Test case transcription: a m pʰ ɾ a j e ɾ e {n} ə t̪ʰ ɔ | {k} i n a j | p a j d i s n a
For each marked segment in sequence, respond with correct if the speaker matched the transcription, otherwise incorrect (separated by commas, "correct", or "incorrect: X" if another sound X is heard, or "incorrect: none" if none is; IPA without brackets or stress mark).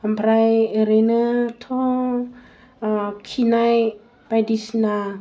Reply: correct, incorrect: kʰ